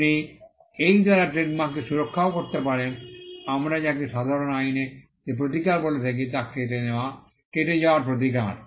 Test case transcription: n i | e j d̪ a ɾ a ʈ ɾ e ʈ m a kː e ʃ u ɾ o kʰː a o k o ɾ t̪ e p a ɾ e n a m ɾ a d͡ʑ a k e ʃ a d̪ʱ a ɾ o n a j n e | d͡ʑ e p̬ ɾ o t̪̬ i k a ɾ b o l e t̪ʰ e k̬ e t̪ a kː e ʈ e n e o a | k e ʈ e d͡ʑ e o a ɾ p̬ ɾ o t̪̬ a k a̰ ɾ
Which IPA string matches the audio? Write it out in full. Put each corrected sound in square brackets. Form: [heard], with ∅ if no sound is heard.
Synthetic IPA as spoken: n i | e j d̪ a ɾ a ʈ ɾ e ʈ m a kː e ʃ u ɾ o kʰː a o k o ɾ t̪ e p a ɾ e n a m ɾ a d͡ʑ a k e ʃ a d̪ʱ a ɾ o n a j n e | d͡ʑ e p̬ ɾ o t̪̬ i k a ɾ b o l e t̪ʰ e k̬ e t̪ a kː e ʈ e n e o a | k e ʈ e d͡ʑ [a] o a ɾ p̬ ɾ o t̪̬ [i] k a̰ ɾ